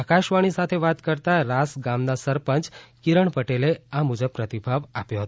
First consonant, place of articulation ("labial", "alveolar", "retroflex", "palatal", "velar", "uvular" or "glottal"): velar